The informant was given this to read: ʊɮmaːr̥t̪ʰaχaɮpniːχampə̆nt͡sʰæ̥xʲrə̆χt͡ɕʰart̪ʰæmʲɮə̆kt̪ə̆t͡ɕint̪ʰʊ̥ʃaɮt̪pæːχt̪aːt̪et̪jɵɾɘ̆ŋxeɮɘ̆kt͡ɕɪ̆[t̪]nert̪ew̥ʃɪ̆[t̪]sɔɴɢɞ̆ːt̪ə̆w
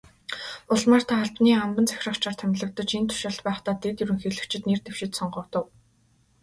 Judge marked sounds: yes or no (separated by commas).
yes, yes